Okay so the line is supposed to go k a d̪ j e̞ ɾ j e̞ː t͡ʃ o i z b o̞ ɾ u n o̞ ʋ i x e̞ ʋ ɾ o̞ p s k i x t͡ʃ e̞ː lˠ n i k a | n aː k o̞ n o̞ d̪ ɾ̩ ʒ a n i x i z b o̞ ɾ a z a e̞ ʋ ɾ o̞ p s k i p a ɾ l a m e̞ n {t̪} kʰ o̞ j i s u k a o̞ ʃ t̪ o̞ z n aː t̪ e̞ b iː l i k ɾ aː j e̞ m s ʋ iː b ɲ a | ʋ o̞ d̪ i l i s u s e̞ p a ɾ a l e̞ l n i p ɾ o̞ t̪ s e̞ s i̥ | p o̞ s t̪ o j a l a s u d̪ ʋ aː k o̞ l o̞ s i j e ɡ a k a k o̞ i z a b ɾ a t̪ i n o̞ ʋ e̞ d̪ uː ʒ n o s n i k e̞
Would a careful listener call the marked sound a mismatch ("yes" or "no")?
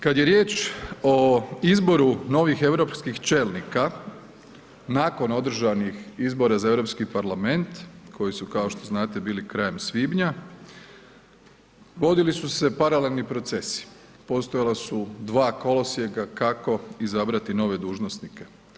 no